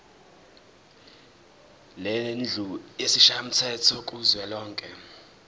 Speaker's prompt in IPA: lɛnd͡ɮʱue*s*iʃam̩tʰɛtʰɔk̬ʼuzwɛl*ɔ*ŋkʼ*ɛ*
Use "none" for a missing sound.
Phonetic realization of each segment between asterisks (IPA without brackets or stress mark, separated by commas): s, ɔː, ɛ